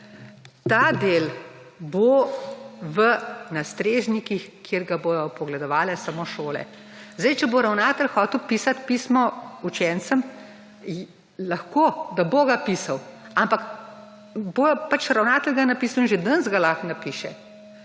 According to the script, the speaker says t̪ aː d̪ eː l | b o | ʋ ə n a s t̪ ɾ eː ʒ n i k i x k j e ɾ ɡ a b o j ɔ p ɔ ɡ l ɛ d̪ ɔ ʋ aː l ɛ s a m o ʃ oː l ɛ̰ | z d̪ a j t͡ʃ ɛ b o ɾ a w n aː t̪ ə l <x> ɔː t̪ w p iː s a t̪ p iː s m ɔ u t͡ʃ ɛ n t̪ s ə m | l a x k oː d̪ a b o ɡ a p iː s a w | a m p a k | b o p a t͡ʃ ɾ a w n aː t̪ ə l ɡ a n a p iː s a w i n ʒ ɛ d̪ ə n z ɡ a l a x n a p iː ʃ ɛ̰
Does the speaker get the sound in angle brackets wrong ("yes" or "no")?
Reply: no